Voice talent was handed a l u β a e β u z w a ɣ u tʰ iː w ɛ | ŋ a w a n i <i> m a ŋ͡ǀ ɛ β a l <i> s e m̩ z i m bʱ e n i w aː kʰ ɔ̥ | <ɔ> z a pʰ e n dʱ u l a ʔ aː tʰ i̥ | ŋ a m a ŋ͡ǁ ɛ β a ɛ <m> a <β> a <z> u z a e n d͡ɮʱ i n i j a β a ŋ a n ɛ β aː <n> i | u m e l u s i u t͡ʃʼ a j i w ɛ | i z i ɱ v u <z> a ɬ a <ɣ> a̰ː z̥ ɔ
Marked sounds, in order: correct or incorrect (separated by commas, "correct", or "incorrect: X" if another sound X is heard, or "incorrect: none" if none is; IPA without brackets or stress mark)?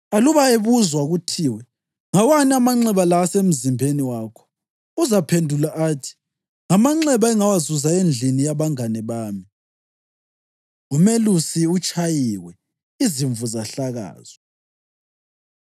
incorrect: a, incorrect: a, incorrect: u, incorrect: ŋ, incorrect: w, correct, incorrect: m, correct, correct